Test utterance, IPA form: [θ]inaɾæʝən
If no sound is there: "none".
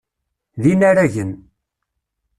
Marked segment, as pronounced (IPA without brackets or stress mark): ð